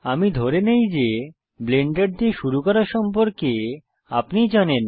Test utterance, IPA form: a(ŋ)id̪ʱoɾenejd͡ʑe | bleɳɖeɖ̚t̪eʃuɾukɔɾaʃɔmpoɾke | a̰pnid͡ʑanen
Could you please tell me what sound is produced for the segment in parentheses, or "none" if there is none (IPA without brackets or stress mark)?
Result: m